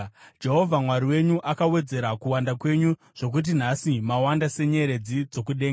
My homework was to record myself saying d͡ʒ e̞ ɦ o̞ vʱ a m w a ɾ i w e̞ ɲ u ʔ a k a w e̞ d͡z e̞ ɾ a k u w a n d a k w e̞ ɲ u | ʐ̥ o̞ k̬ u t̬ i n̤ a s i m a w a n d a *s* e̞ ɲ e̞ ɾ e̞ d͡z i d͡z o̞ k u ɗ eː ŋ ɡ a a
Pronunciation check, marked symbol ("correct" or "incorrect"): correct